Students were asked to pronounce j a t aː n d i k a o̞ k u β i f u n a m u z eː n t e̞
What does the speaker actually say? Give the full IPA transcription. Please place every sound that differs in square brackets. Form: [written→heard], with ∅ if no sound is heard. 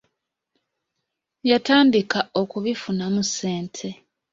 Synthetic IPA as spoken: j a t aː n d i k a o̞ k u β i f u n a m u [z→s] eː n [t→tʰ] e̞

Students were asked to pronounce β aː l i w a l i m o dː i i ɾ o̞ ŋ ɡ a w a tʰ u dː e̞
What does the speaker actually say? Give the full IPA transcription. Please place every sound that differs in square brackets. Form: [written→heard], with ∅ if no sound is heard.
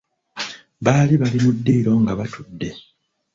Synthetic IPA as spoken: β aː l i [w→β] a l i m [o→u] dː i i ɾ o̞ ŋ ɡ a [w→β] a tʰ u dː e̞

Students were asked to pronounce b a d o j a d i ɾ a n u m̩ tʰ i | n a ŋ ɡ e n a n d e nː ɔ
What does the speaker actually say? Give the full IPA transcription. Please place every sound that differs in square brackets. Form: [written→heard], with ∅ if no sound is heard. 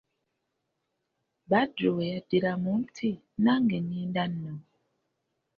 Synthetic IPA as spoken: b a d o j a d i ɾ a [n→m] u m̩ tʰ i | n a ŋ ɡ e n [a→i] n d [e→a] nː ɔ

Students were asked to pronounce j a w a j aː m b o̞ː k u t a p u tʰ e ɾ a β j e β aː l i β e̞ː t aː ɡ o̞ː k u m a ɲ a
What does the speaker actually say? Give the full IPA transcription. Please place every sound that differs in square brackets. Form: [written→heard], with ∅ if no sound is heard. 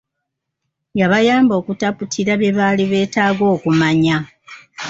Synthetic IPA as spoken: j a [w→β] a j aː m b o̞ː k u t a p u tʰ [e→i] ɾ a β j e β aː l i β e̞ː t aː ɡ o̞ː k u m a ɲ a

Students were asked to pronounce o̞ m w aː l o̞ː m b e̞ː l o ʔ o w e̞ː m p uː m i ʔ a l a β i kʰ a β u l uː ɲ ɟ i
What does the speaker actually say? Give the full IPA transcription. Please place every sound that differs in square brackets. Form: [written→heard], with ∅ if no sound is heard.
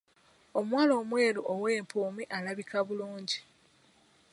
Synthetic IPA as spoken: o̞ m w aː l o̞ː m [b→w] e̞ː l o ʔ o w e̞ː m p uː m i ʔ a l a β i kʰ a β u l uː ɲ ɟ i

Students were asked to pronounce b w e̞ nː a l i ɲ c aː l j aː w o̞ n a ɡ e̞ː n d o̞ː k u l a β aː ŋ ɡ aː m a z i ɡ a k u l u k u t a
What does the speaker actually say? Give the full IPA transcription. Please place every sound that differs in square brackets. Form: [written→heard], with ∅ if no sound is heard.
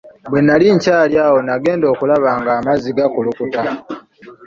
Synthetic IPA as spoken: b w e̞ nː a l i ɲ c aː l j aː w o̞ n a ɡ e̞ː n d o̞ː k u l a β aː ŋ ɡ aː m a z i ɡ a k u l u k u t a

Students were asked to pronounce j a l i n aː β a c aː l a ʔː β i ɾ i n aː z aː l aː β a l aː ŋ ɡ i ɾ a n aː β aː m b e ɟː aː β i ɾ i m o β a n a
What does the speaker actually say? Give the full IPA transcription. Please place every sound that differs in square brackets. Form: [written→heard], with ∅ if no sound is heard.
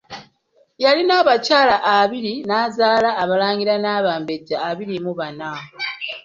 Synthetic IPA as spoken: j a l i n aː β a c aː l a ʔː β i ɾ i n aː z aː l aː β a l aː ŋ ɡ i ɾ a n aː β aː m b e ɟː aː β i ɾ i m [o→u] β a n a

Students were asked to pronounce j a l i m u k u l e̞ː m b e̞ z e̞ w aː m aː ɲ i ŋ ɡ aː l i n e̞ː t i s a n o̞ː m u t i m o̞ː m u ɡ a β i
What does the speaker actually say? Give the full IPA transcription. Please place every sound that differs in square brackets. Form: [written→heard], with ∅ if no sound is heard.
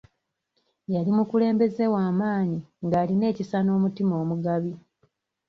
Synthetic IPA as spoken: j a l i m u k u l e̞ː m b e̞ z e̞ w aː m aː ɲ i ŋ ɡ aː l i n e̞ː [t→c] i s a n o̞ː m u t i m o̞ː m u ɡ a β i

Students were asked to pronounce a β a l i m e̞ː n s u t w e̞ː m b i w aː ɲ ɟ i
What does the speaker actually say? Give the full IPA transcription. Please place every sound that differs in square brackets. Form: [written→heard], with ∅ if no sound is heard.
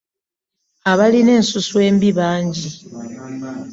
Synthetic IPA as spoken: a β a l i [m→n] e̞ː n s u [t→s] w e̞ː m b i [w→β] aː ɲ ɟ i

